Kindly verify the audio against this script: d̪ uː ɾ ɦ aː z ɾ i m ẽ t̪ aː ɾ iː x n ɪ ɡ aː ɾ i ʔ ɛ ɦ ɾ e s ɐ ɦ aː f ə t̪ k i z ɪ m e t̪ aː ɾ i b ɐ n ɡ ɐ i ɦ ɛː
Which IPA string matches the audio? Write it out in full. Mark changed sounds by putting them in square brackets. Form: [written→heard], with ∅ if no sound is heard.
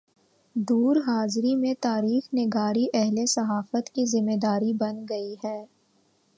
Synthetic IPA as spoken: d̪ uː ɾ ɦ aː z ɾ i m ẽ t̪ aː ɾ iː x n ɪ ɡ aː ɾ i ʔ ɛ ɦ [ɾ→l] e s ɐ ɦ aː f ə t̪ k i z ɪ m e [t̪→d̪] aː ɾ i b ɐ n ɡ ɐ i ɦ ɛː